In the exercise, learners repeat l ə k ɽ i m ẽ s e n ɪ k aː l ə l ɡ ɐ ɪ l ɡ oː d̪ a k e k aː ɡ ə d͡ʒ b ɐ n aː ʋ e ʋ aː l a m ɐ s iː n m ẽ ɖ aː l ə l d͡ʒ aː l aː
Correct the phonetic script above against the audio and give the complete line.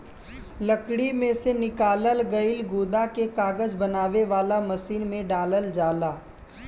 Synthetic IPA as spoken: l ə k ɽ i m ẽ s e n ɪ k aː l ə l ɡ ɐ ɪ l ɡ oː d̪ a k e k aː ɡ ə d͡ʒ b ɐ n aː ʋ e ʋ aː l a m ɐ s iː n m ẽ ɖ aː l ə l d͡ʒ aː l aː